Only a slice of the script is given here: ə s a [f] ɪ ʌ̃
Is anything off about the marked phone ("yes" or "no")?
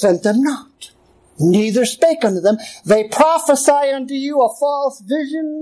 yes